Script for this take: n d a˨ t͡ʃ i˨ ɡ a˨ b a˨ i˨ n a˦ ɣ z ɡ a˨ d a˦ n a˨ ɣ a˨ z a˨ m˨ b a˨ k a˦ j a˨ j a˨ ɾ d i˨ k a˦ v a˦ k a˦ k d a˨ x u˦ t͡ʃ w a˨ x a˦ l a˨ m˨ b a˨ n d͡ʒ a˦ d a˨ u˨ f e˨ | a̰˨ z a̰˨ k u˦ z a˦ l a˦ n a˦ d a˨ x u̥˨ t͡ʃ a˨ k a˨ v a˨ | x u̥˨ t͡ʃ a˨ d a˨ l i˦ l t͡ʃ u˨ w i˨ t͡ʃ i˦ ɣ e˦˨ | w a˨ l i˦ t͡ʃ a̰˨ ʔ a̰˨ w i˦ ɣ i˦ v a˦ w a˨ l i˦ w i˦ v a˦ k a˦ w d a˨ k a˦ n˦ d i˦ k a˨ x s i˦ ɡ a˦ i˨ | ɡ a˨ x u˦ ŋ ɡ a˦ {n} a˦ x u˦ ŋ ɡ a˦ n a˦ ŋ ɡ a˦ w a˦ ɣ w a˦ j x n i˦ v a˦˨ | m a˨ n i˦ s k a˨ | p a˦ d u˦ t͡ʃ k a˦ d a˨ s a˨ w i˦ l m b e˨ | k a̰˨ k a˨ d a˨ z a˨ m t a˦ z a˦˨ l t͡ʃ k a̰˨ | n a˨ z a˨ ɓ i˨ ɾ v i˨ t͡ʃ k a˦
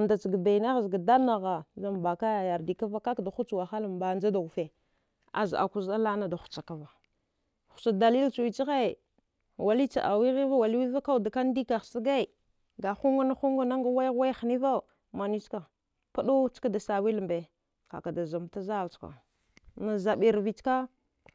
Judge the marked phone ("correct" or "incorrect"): correct